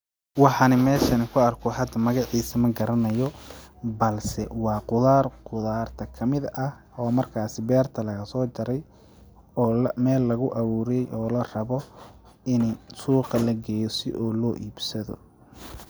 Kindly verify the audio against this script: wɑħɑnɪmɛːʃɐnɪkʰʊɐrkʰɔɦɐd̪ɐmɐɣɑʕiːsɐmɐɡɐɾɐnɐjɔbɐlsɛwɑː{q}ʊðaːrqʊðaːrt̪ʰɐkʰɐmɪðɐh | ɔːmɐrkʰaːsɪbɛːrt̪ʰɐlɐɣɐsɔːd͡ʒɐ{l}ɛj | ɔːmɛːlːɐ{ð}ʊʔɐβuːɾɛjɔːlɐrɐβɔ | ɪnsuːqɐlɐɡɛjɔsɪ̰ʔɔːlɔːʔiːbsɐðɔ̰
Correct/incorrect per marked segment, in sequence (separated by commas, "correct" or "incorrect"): correct, incorrect, incorrect